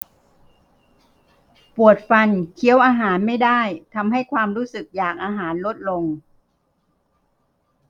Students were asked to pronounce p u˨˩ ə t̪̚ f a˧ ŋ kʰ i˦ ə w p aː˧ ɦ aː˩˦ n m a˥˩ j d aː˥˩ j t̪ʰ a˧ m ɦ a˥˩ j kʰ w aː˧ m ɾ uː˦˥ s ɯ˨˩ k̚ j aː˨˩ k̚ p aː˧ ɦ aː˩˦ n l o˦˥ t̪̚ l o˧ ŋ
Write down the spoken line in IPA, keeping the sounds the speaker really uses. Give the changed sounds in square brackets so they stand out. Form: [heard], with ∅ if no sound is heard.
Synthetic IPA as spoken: p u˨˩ ə t̪̚ f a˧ [n] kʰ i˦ ə w [ʔ] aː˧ ɦ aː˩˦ n m a˥˩ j d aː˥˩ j t̪ʰ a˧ m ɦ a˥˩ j kʰ w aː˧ m ɾ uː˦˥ s ɯ˨˩ k̚ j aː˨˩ k̚ [ʔ] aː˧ ɦ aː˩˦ n l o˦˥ t̪̚ l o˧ ŋ

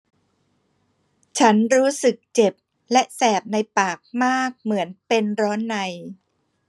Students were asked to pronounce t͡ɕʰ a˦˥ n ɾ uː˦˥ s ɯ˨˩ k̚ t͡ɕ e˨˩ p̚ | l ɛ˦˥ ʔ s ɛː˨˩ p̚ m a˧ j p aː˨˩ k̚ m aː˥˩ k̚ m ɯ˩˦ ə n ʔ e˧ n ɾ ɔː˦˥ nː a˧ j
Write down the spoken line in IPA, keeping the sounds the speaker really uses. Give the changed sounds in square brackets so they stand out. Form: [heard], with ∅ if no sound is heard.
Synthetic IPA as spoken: t͡ɕʰ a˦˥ n ɾ uː˦˥ s ɯ˨˩ k̚ t͡ɕ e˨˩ p̚ | l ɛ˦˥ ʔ s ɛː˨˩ p̚ [n] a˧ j p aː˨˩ k̚ m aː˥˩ k̚ m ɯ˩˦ ə n [p] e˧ n ɾ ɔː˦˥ nː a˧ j

